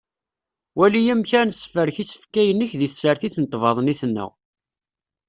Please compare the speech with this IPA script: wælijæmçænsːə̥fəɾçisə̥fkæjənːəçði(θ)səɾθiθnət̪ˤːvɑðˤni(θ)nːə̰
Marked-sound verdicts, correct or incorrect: correct, correct

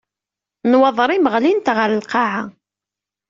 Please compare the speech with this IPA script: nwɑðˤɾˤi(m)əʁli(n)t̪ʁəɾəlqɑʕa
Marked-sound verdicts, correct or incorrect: correct, correct

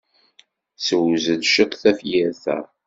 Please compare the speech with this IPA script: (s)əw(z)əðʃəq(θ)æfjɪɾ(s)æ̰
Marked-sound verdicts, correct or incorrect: correct, correct, correct, incorrect

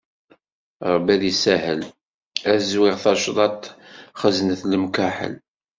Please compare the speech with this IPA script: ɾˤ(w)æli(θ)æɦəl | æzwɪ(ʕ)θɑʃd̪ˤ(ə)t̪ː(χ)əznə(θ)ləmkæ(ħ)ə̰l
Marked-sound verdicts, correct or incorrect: incorrect, incorrect, incorrect, incorrect, correct, correct, correct

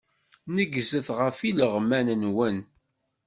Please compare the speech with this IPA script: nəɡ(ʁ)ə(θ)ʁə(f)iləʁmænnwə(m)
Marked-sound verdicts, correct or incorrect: incorrect, correct, correct, incorrect

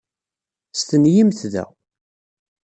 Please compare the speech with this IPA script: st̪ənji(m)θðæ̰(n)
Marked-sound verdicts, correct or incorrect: correct, incorrect

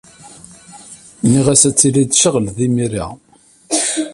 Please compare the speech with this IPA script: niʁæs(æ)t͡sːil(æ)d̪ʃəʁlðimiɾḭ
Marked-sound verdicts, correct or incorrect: correct, incorrect

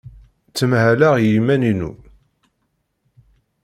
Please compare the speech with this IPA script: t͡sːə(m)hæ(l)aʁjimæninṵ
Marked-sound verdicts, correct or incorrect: correct, correct

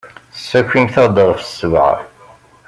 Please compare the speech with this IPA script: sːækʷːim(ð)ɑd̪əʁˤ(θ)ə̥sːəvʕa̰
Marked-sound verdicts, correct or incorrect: incorrect, incorrect

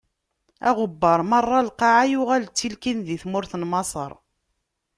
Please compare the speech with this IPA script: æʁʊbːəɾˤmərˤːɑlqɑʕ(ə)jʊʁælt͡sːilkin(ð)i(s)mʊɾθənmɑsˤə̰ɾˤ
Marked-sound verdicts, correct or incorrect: incorrect, correct, incorrect

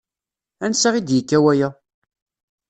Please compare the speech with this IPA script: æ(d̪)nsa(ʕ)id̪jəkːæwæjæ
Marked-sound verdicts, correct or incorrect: incorrect, incorrect

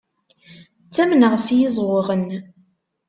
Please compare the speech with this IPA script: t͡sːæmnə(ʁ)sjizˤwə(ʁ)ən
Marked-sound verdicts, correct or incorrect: correct, correct

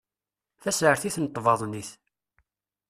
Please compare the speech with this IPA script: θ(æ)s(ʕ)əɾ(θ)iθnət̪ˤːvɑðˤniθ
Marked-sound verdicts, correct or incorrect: correct, correct, correct

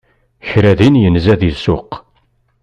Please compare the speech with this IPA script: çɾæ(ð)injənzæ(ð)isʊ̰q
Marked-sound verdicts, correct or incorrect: correct, correct

